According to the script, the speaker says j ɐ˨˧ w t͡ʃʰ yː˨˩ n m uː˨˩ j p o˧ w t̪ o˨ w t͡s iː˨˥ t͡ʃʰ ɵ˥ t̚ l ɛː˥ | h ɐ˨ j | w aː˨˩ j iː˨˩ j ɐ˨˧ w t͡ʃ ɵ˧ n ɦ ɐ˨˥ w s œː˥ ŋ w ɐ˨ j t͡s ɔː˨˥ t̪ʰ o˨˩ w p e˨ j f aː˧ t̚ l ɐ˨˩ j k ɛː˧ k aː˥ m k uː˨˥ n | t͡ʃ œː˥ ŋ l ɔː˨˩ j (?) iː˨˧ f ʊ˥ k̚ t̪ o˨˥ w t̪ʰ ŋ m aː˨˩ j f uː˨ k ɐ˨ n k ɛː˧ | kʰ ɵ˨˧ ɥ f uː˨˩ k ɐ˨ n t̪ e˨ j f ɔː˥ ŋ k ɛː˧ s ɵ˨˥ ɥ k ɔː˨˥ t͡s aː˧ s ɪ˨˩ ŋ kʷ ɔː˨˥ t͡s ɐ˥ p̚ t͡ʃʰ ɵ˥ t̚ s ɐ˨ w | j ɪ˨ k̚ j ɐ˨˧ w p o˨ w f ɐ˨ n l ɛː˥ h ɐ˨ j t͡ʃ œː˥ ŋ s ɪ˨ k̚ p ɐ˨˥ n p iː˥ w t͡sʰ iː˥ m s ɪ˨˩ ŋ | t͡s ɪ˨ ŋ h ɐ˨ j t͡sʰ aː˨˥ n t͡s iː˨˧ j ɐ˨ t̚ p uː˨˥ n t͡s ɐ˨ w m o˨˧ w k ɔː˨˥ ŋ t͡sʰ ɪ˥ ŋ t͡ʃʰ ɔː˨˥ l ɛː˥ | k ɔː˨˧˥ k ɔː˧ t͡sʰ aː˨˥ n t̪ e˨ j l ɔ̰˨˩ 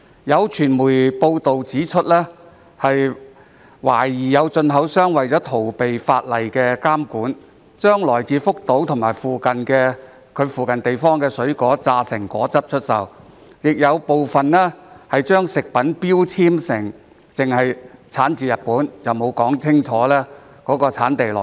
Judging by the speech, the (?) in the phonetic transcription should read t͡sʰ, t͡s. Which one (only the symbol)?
t͡s